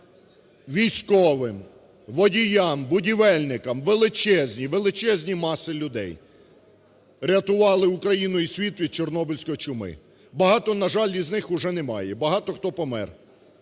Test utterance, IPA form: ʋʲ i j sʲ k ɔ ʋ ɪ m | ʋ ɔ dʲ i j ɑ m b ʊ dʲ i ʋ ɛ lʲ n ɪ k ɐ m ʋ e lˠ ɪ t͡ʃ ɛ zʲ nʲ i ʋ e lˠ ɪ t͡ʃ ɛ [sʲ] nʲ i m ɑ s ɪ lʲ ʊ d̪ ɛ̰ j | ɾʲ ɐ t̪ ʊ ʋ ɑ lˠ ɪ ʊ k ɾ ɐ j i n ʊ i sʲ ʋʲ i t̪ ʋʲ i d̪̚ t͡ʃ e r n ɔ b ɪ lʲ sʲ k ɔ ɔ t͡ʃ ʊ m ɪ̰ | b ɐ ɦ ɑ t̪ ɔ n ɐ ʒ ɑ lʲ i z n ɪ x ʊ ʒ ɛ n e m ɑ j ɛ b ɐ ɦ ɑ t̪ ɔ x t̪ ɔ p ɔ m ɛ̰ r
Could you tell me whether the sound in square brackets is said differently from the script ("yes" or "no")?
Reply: yes